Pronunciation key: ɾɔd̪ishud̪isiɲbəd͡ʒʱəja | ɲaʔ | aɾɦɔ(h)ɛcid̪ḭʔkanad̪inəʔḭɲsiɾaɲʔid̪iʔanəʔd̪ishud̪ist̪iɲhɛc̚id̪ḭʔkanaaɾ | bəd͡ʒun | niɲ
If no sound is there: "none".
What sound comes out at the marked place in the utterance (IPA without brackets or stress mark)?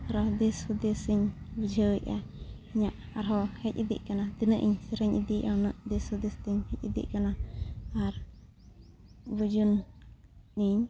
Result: h